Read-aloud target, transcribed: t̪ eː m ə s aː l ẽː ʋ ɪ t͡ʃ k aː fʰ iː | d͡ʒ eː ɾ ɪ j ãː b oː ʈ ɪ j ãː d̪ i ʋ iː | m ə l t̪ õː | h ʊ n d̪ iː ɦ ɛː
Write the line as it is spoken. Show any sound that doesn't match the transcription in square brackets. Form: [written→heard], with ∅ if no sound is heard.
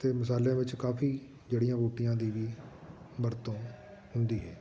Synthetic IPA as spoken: t̪ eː m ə s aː l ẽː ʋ ɪ t͡ʃ k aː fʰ iː | d͡ʒ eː [ɾ→ɽ] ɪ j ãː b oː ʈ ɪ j ãː d̪ [i→iː] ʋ iː | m ə [l→ɾ] t̪ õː | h ʊ n d̪ iː ɦ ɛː